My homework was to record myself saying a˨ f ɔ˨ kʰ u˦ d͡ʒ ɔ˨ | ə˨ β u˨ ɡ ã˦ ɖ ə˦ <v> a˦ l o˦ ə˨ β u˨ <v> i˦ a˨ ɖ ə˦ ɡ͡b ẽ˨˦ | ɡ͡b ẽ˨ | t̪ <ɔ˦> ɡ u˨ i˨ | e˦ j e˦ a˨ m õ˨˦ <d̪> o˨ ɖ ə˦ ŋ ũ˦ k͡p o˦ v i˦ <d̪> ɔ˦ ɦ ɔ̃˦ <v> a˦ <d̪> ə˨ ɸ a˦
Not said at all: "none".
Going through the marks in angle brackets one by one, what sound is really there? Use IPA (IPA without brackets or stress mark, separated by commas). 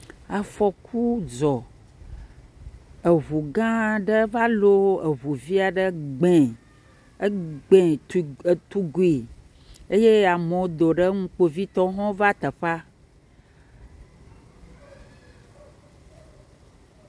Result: v, v, u˦, d̪, t̪, v, t̪